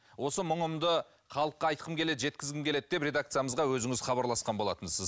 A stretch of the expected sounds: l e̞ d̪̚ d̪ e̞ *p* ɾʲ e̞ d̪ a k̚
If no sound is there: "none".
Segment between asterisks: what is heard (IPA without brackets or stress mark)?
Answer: p